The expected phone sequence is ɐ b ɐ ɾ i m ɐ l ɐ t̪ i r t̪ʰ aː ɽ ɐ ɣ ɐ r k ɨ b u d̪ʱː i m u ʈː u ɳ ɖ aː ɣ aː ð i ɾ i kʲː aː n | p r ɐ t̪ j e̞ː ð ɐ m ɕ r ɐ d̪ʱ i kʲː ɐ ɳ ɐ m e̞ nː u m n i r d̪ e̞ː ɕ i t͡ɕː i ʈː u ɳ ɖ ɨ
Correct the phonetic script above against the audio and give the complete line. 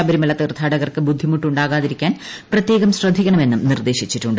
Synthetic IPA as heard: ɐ b ɐ ɾ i m ɐ l ɐ t̪ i r t̪ʰ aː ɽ ɐ ɣ ɐ r k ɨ b u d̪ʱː i m u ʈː u ɳ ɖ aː ɣ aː ð i ɾ i kʲː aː n | p r ɐ t̪ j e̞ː ɣ ɐ m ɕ r ɐ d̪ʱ i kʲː ɐ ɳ ɐ m e̞ nː u m n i r d̪ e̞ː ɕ i t͡ɕː i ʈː u ɳ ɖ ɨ